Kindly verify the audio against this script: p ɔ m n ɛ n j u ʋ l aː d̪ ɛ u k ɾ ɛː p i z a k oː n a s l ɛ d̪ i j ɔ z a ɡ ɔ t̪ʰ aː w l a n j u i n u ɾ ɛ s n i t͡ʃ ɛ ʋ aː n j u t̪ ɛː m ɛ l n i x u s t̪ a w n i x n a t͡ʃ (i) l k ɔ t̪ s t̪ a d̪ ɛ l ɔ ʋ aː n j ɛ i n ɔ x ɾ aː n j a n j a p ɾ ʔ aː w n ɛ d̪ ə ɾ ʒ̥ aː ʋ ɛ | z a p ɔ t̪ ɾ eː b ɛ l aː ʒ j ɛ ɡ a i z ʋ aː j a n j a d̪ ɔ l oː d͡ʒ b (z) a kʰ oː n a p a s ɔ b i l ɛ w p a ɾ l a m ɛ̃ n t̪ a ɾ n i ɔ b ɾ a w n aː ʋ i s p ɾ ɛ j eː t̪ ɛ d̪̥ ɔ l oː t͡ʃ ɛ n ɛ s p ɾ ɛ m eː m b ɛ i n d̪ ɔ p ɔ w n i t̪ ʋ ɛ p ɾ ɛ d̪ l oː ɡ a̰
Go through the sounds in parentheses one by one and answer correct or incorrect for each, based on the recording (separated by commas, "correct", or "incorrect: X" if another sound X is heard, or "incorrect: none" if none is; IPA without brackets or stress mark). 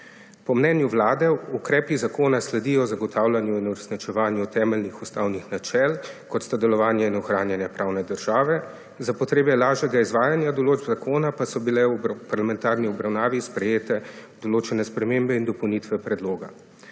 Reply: incorrect: ɛ, correct